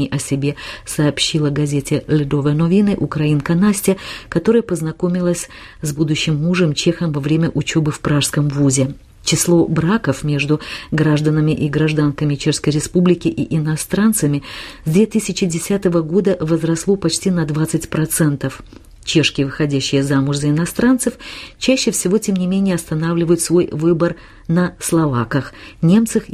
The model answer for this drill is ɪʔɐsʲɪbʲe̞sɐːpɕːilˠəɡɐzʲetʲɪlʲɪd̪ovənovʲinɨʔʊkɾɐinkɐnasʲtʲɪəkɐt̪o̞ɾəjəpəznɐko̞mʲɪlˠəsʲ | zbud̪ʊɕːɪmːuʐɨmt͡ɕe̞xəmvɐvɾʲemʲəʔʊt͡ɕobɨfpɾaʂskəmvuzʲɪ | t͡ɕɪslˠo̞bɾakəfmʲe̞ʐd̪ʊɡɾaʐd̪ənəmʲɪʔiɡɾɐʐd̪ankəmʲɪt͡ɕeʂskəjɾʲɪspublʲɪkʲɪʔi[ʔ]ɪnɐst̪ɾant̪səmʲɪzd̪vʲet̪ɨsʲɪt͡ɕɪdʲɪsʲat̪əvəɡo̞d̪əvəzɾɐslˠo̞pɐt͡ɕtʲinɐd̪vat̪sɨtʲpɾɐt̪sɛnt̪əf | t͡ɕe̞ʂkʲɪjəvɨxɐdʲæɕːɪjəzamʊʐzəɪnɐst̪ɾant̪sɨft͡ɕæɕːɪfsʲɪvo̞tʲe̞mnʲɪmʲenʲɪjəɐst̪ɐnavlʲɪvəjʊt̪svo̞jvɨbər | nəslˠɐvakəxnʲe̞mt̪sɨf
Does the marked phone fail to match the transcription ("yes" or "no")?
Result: no